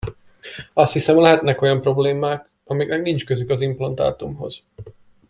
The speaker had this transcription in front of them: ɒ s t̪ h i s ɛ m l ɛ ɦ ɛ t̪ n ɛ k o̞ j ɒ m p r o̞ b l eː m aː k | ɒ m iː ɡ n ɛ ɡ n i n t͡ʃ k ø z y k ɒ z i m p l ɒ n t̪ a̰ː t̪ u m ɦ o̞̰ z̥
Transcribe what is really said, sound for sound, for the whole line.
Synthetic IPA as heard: ɒ s t̪ h i s ɛ m l ɛ ɦ ɛ t̪ n ɛ k o̞ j ɒ m p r o̞ b l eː m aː k | ɒ m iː ɡ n ɛ ɡ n i n t͡ʃ k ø z y k ɒ z i m p l ɒ n t̪ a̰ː t̪ u m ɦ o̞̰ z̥